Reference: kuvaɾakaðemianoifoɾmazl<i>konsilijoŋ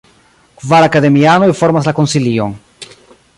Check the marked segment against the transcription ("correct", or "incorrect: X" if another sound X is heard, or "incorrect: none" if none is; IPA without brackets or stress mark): incorrect: a